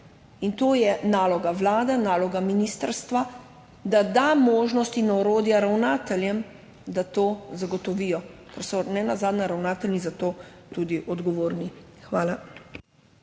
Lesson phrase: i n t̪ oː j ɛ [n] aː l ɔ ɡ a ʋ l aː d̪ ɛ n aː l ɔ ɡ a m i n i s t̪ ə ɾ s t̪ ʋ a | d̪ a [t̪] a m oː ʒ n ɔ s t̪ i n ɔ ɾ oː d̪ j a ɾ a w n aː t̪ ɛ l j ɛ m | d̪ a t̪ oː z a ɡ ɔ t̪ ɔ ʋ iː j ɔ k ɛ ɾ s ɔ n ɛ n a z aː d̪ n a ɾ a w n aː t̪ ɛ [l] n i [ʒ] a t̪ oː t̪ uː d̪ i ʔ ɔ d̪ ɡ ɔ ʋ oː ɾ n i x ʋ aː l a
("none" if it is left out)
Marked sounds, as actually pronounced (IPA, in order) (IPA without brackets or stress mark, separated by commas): n, d̪, l, z